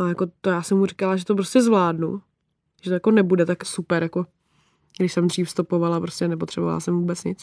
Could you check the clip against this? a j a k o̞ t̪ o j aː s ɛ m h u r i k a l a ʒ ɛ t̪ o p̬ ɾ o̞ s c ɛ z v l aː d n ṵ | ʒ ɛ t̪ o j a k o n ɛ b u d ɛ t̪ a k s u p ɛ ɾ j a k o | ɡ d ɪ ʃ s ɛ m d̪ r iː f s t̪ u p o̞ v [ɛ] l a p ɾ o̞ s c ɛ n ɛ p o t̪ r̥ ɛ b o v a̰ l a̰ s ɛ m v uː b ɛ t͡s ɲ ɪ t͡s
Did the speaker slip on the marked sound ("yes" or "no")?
yes